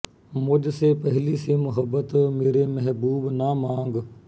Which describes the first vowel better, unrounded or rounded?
rounded